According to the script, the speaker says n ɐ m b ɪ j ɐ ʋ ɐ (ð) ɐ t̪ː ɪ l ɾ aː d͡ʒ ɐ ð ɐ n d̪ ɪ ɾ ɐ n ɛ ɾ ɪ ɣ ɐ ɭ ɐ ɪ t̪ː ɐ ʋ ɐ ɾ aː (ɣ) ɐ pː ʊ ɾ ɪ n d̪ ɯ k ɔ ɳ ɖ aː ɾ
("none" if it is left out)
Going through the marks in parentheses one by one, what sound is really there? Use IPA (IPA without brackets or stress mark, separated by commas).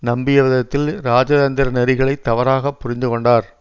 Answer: ð, ɣ